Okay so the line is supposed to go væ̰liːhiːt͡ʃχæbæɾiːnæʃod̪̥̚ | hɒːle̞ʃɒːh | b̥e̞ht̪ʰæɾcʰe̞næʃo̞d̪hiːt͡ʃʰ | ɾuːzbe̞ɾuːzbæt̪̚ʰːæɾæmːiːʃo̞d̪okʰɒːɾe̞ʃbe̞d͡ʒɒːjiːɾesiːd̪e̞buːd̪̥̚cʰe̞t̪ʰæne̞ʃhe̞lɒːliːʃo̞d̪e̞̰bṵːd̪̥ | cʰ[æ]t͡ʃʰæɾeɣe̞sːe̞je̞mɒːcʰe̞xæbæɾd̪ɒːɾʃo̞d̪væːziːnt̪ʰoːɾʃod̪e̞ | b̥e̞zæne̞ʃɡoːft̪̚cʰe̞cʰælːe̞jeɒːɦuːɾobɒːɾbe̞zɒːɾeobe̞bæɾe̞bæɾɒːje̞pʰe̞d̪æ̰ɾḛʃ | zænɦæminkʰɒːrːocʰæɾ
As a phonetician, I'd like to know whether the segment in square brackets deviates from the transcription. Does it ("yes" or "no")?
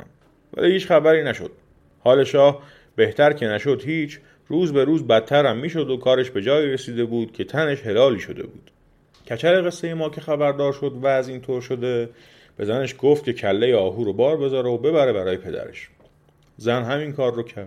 no